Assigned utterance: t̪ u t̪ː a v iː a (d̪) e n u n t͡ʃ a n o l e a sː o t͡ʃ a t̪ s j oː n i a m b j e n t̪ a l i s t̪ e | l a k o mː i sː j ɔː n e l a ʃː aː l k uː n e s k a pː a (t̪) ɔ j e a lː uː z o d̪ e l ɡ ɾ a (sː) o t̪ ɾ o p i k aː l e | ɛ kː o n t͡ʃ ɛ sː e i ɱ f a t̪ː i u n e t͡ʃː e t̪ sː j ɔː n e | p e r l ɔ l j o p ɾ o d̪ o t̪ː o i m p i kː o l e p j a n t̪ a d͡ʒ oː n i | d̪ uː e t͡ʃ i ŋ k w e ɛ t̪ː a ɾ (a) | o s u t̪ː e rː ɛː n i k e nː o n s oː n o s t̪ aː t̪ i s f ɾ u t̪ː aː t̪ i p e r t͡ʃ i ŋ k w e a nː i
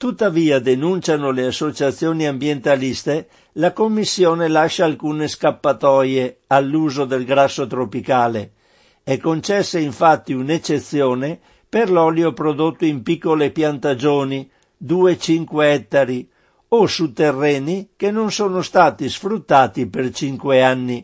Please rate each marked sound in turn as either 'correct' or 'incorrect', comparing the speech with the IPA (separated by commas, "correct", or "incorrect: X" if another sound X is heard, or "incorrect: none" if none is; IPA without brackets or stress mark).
correct, correct, correct, incorrect: i